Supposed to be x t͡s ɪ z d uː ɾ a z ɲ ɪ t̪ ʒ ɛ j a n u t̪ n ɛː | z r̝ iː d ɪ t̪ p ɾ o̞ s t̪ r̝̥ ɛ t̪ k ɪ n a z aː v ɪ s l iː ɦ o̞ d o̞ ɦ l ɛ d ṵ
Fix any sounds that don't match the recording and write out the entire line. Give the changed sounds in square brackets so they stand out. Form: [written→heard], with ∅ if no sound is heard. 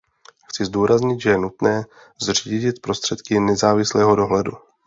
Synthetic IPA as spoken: x t͡s ɪ z d uː ɾ a z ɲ ɪ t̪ ʒ ɛ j [a→ɛ] n u t̪ n ɛː | z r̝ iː [d→ɟ] ɪ t̪ p ɾ o̞ s t̪ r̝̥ ɛ t̪ k ɪ n [a→ɛ] z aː v ɪ s l [iː→ɛː] ɦ o̞ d o̞ ɦ l ɛ d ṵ